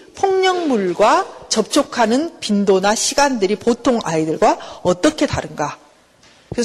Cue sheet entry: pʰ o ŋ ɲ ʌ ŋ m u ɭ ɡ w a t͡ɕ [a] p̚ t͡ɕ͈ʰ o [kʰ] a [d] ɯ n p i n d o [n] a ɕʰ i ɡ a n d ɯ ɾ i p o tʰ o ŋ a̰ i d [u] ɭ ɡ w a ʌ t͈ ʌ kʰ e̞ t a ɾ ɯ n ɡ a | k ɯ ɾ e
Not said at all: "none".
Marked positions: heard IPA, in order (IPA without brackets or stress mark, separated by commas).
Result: ʌ, kʰ, n, n, ɯ